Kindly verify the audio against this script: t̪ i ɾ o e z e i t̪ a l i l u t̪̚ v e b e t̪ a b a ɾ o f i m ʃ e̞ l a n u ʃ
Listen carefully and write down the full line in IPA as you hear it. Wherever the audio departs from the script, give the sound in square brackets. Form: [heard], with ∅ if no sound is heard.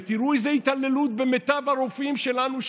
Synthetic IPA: t̪ i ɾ [u] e z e i t̪ a l [e] l u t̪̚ [b] e [m] e t̪ a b a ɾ o f i m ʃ e̞ l a n u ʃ